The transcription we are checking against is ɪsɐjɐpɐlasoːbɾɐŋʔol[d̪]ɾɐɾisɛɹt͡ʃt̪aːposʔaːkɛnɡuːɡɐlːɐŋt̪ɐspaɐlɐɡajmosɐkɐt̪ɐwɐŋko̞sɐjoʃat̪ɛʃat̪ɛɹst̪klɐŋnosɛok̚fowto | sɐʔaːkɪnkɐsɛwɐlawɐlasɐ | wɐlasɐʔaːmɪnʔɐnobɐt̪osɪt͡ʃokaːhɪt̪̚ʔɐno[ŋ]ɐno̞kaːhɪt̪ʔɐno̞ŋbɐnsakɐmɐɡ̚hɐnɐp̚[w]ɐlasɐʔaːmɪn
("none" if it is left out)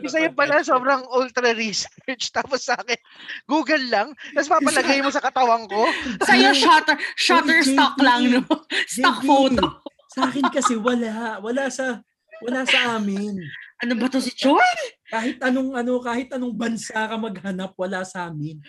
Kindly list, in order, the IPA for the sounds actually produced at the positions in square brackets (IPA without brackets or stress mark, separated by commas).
t̪, ŋ, w